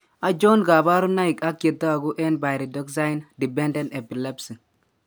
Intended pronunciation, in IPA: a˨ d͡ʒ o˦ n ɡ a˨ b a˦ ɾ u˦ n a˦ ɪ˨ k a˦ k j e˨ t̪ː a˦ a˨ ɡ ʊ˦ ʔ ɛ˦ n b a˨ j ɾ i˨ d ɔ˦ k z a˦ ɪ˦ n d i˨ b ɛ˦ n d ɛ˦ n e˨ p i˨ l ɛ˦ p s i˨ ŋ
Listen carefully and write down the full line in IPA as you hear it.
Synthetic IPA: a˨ d͡ʒ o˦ n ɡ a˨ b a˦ ɾ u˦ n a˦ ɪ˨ k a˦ k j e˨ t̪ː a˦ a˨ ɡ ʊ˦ ʔ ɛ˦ n b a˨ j ɾ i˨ d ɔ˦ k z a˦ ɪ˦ n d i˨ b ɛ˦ n d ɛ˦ n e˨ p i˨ l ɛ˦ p s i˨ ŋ